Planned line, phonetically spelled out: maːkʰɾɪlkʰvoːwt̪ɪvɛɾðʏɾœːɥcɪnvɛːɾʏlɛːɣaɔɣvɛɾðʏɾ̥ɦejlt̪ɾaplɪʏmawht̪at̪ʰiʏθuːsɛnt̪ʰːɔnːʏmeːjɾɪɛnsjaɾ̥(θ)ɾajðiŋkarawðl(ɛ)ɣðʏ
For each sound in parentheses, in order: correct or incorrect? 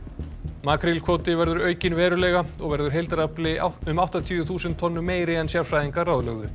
incorrect: f, incorrect: œ

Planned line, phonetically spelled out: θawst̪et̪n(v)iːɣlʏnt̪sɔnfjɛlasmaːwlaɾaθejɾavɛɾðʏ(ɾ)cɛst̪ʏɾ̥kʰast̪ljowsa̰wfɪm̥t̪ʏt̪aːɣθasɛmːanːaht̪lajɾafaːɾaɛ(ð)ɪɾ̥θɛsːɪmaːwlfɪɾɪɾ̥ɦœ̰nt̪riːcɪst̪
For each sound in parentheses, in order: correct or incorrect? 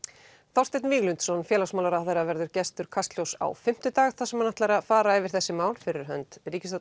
correct, correct, incorrect: v

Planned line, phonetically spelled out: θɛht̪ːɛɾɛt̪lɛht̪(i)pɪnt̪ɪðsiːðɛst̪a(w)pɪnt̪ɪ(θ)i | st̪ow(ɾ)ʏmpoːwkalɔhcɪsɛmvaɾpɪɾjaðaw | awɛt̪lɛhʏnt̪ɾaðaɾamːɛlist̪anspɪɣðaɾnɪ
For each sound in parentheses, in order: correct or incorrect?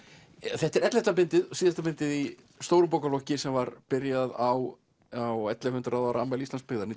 incorrect: a, incorrect: none, incorrect: ð, correct

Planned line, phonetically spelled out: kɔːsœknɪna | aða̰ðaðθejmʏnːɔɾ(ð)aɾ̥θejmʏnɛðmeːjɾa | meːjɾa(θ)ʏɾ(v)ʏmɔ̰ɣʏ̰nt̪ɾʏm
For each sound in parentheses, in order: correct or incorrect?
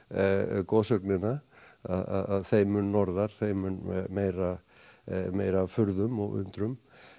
correct, incorrect: f, incorrect: ð

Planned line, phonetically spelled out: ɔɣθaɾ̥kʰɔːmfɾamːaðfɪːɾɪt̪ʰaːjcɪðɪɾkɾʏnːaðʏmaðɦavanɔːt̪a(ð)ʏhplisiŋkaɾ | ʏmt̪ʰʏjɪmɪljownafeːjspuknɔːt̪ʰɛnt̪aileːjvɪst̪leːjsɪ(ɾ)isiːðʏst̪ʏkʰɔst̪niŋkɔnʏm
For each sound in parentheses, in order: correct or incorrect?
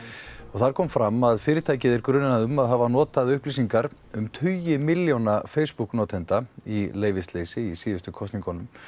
correct, incorrect: none

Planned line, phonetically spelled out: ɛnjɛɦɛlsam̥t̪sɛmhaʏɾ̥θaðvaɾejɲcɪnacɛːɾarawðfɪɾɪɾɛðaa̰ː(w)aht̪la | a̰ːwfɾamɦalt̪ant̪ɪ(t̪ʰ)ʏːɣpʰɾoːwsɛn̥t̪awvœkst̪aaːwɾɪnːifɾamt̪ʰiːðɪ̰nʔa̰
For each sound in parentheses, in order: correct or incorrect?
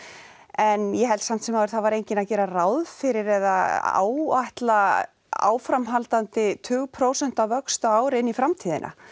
correct, correct

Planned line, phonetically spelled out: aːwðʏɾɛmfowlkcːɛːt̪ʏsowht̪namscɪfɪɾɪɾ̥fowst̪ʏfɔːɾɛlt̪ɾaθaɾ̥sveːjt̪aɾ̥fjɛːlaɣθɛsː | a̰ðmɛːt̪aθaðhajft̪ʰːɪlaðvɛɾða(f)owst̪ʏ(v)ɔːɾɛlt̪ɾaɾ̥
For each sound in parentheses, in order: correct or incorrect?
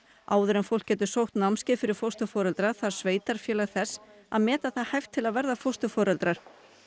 correct, incorrect: f

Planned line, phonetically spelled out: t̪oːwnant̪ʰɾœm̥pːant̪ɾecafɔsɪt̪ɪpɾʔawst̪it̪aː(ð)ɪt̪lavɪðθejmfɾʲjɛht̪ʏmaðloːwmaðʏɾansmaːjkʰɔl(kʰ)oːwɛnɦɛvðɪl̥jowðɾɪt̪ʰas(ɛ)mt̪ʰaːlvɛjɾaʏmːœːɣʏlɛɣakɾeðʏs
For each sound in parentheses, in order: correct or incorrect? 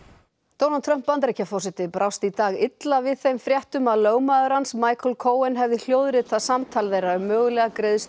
incorrect: ɣ, correct, incorrect: a

